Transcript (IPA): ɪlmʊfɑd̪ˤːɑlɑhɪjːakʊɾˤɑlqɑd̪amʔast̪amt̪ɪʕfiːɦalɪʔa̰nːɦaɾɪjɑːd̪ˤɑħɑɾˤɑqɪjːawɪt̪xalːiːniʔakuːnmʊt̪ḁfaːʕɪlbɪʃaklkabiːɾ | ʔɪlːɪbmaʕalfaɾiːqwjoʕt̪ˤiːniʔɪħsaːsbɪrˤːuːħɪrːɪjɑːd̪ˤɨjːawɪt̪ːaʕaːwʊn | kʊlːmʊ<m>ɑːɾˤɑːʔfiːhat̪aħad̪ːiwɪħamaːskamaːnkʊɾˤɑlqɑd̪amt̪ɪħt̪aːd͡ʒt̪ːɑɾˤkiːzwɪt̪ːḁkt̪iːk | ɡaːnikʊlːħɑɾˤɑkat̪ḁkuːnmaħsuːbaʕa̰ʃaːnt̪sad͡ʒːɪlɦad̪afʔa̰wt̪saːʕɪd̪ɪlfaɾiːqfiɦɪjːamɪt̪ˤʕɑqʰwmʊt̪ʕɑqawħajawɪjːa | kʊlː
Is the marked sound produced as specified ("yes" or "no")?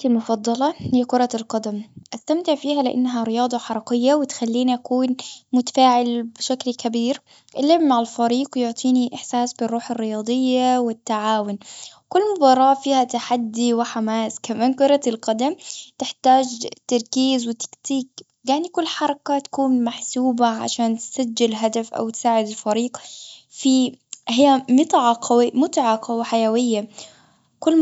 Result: no